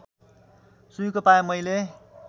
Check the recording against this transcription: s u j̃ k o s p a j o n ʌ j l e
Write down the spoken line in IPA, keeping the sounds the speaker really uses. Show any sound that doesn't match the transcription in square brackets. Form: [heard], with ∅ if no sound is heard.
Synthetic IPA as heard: s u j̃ k o [∅] p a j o [m] ʌ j l e